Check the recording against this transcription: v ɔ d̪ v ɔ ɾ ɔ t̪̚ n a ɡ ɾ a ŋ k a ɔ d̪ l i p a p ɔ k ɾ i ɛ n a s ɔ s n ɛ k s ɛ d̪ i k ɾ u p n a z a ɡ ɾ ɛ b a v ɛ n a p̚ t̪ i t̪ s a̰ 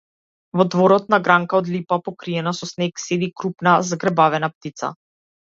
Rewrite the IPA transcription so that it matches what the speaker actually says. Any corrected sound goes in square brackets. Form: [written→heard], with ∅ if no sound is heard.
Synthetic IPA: v ɔ d̪ v ɔ ɾ ɔ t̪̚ n a ɡ ɾ a ŋ k a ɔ d̪ l i p a p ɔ k ɾ i ɛ n a s ɔ s n ɛ k s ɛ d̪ i k ɾ u p n a z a ɡ ɾ ɛ b a v ɛ n a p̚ t̪ i t̪ s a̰